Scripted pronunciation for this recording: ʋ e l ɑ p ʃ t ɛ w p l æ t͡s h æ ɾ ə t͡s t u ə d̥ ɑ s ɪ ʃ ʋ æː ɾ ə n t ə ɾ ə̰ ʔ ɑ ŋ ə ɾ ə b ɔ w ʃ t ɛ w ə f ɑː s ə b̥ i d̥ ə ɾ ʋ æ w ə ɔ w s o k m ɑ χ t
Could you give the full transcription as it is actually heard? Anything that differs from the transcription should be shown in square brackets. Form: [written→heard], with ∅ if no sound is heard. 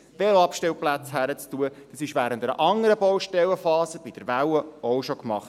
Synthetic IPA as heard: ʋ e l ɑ p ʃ t ɛ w p l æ t͡s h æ ɾ ə t͡s t u ə d̥ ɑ s ɪ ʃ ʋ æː ɾ ə n t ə ɾ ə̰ ʔ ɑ ŋ ə ɾ ə b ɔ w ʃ t ɛ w ə f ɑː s ə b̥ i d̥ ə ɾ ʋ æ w ə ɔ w [s→ʃ] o k m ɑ χ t